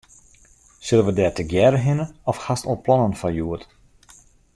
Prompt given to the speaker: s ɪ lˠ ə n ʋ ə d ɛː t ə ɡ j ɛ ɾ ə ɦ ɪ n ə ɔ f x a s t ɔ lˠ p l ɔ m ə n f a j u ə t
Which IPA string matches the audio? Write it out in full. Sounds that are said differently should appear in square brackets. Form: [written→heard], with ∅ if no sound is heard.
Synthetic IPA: s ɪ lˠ ə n ʋ ə d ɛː t ə ɡ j ɛ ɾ ə ɦ ɪ n ə ɔ f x a s t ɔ lˠ p l ɔ [m→n] ə n f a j u ə t

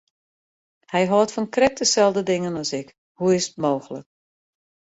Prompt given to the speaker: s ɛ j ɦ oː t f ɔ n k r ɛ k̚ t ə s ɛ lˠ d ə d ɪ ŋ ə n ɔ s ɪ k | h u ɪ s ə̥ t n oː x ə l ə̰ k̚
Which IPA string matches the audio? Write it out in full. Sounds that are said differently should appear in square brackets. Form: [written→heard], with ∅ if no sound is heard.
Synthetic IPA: [s→h] ɛ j ɦ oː t f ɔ n k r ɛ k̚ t ə s ɛ lˠ d ə d ɪ ŋ ə n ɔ s ɪ k | h u ɪ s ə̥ t [n→m] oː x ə l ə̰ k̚

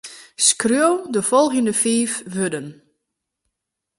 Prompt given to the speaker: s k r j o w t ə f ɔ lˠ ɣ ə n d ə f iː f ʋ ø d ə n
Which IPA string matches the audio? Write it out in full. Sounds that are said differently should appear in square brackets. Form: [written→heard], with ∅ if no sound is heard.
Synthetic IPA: s k r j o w [t→d] ə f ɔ lˠ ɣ ə n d ə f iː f ʋ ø d ə n

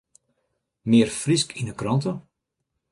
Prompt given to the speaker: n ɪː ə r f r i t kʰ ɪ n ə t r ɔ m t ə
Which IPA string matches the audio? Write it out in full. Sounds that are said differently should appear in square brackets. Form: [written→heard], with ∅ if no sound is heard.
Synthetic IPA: [n→m] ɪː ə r f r i [t→s] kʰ [ɪ→i] n ə [t→k] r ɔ [m→n] t ə

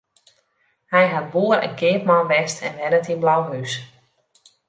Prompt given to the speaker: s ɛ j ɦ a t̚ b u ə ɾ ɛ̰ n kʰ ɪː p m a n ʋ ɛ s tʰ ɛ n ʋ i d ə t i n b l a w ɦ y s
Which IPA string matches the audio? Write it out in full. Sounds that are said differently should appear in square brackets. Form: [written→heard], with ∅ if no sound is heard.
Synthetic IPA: [s→h] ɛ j ɦ a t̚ b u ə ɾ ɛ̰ n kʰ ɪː p m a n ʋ ɛ s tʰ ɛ n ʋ [i→ɛ] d ə t i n b l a w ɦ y s

